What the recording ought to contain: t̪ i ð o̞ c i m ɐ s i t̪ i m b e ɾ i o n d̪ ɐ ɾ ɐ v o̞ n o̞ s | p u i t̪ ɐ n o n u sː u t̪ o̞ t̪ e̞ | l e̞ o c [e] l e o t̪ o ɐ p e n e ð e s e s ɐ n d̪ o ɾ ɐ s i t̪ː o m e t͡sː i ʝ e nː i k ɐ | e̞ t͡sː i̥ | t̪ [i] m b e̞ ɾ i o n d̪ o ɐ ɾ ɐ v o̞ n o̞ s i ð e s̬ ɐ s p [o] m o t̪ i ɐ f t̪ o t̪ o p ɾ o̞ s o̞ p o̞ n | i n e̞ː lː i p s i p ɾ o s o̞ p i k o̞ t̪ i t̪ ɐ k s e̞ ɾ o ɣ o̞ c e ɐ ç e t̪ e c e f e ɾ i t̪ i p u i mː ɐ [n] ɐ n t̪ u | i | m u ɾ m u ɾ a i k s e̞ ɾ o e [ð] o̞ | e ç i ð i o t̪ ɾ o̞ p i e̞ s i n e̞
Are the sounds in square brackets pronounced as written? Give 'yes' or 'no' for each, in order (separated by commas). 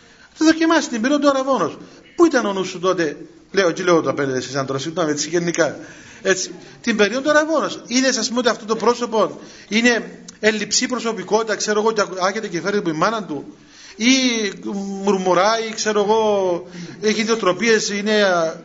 no, yes, no, yes, no